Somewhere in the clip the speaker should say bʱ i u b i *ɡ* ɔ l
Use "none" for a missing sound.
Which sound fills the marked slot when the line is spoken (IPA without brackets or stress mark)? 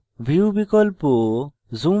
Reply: k